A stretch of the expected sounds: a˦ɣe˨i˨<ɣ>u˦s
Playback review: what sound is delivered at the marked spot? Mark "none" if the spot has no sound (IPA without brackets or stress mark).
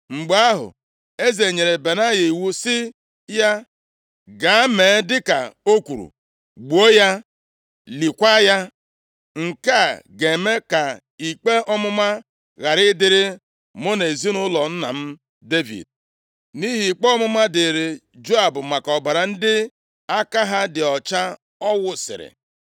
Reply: w